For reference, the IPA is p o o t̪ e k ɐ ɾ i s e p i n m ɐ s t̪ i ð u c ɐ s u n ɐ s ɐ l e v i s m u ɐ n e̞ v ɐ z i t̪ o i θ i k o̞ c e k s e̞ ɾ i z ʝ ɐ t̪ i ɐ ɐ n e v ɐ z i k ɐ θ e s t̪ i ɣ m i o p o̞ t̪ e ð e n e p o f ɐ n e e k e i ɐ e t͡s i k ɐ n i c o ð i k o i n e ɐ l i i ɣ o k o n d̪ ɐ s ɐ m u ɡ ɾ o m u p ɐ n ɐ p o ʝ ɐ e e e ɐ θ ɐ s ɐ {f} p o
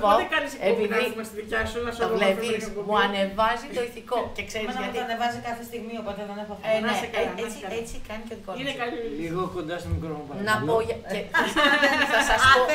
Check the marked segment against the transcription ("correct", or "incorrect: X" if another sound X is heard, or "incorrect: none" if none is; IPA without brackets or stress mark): incorrect: s